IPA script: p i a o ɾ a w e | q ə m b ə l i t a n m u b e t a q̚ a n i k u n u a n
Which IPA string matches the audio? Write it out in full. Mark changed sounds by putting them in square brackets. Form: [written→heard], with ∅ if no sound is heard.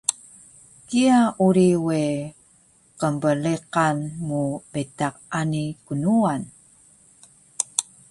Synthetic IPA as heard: [p→k] i a [o→u] ɾ [a→i] w e | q ə m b ə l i [t→q] a n m u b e t a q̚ a n i k u n u a n